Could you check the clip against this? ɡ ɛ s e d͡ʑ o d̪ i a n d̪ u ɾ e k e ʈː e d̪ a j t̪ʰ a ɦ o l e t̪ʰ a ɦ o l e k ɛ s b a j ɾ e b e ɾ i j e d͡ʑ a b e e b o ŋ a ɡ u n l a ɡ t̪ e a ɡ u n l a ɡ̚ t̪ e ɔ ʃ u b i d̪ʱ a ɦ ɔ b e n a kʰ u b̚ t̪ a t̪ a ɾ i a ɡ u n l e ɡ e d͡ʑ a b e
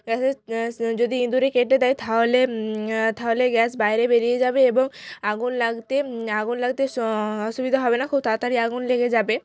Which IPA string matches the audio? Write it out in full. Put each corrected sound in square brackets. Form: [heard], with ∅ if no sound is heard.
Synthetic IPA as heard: ɡ ɛ s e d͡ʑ o d̪ i [i] n d̪ u ɾ e k e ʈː e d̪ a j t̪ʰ a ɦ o l e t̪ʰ a ɦ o l e [ɡ] ɛ s b a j ɾ e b e ɾ i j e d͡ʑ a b e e b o ŋ a ɡ u n l a ɡ t̪ e a ɡ u n l a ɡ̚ t̪ e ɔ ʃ u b i d̪ʱ a ɦ ɔ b e n a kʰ u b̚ t̪ a t̪ a ɾ i a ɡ u n l e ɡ e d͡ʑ a b e